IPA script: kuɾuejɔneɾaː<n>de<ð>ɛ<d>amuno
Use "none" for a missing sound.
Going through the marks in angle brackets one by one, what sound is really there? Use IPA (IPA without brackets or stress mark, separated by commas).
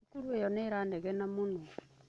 n, ɣ, n